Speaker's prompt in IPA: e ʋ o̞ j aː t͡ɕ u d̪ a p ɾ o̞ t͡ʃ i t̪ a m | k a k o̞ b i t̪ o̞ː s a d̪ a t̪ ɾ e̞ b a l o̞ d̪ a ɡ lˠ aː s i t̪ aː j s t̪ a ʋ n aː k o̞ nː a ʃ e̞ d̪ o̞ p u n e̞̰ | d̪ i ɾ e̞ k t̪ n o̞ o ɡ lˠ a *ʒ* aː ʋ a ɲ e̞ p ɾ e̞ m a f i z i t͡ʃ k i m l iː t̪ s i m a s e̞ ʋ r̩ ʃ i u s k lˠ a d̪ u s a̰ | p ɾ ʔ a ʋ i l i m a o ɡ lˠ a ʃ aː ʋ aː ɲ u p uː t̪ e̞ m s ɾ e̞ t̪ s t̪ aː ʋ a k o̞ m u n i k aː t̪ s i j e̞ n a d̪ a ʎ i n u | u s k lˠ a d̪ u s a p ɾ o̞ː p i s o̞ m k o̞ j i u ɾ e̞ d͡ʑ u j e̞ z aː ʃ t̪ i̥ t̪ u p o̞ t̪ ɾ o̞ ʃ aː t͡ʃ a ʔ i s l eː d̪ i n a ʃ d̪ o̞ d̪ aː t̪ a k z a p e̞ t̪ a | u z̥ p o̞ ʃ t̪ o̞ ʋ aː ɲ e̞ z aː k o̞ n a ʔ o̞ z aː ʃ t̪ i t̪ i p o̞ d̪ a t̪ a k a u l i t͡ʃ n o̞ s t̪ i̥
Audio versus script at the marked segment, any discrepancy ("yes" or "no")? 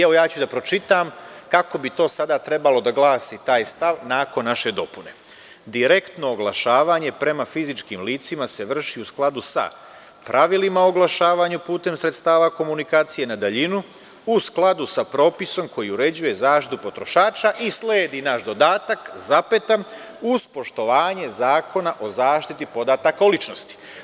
yes